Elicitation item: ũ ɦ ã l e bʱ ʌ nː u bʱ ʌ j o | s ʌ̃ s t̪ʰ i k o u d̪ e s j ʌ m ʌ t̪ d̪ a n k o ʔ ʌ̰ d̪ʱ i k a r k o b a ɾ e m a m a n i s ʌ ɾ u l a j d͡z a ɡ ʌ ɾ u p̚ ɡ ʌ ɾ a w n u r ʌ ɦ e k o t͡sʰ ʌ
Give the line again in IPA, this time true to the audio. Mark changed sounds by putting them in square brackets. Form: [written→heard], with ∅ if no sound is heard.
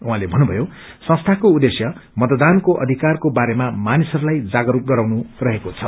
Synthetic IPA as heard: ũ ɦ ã l e bʱ ʌ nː u bʱ ʌ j o | s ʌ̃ s t̪ʰ [i→a] k o u d̪ e s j ʌ m ʌ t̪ d̪ a n k o ʔ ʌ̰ d̪ʱ i k a r k o b a ɾ e m a m a n i s ʌ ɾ u l a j d͡z a ɡ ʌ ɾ u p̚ ɡ ʌ ɾ a w n u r ʌ ɦ e k o t͡sʰ ʌ